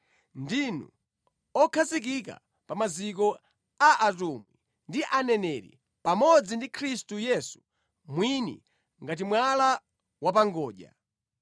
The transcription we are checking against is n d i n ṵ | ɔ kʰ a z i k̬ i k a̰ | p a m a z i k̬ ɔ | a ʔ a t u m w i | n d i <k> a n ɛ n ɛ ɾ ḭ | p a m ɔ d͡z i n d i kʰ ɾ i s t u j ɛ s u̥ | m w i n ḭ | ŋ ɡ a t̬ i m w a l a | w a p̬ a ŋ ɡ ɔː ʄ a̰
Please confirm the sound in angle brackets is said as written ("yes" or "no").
no